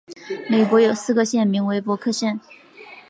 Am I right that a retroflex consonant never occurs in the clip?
yes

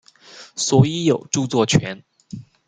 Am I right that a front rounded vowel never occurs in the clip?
yes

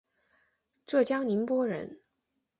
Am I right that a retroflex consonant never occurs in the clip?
no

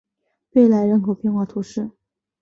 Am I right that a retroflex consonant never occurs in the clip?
no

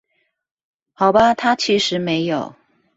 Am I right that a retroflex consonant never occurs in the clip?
no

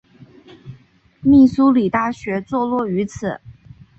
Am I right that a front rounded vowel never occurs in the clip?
no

